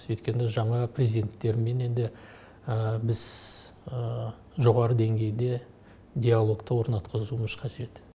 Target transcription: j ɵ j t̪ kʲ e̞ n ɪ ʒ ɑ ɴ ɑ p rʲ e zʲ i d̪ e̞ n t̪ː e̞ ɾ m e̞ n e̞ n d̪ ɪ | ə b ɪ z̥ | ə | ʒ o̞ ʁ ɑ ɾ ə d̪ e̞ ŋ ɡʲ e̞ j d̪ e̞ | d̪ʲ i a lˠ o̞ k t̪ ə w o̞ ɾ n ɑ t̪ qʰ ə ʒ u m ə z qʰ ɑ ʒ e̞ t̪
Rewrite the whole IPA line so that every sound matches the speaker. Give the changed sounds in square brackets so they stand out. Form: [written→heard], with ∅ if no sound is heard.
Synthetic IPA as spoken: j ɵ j t̪ kʲ e̞ n ɪ ʒ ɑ ɴ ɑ p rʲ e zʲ i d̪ e̞ n t̪ː e̞ ɾ m e̞ n e̞ n d̪ ɪ | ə b ɪ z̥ | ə | ʒ o̞ ʁ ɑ ɾ ə d̪ e̞ ŋ ɡʲ e̞ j d̪ e̞ | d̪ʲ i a lˠ o̞ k t̪ ə w o̞ ɾ n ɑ t̪ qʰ ə [ʒ→z] u m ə z qʰ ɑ ʒ e̞ t̪